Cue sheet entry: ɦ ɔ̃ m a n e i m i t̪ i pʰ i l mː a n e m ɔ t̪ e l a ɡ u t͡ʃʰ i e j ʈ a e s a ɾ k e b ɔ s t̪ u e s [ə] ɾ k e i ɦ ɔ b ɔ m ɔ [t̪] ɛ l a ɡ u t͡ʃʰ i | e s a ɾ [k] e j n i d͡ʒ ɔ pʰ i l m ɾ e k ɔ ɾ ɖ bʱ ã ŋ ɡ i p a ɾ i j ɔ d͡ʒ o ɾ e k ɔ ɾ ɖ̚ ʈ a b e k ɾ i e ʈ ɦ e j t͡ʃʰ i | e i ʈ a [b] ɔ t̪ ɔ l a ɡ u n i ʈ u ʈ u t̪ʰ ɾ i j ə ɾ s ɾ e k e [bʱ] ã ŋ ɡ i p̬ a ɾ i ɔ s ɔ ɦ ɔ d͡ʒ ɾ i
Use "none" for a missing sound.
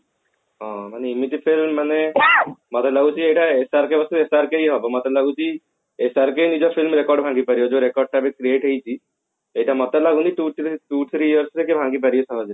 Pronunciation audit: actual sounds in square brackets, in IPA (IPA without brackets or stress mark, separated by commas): a, t̪, k, m, bʱ